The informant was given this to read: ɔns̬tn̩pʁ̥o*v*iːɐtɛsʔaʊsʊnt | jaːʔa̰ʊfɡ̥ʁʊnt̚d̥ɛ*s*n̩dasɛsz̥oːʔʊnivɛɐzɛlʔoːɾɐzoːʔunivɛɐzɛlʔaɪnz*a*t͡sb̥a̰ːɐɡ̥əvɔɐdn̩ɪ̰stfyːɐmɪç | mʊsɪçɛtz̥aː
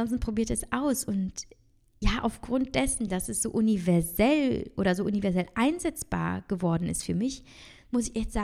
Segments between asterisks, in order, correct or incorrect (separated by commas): incorrect, correct, incorrect